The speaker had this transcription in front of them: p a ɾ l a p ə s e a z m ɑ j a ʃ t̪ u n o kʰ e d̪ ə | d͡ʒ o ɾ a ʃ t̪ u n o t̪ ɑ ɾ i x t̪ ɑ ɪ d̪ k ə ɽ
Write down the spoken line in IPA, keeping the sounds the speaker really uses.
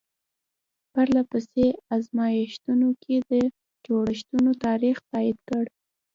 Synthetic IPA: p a ɾ l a p ə s e a z m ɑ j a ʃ t̪ u n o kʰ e d̪ ə | d͡ʒ o ɽ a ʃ t̪ u n o t̪ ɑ ɾ i x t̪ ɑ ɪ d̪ k ə ɽ